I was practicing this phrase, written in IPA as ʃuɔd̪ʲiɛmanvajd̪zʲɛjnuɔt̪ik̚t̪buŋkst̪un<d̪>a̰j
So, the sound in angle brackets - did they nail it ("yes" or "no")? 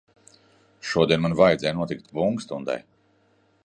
yes